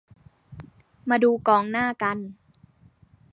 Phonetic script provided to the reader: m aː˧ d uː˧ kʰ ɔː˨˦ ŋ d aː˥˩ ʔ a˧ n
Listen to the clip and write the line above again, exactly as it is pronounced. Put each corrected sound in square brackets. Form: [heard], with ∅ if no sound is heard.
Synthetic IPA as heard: m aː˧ d uː˧ [k] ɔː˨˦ ŋ [n] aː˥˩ [k] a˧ n